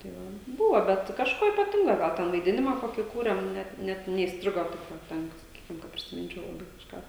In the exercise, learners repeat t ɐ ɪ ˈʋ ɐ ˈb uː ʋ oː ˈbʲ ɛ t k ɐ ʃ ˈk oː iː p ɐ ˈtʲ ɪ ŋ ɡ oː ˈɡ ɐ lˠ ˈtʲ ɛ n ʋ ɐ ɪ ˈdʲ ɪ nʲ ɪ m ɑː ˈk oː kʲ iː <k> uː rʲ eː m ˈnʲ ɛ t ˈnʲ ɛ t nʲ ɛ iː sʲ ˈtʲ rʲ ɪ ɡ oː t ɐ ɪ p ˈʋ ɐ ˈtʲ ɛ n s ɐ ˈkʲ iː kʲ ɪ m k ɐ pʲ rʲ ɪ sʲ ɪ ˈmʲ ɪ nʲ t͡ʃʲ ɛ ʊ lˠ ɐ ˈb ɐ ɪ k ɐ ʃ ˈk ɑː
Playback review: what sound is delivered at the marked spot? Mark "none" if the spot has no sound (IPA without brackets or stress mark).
k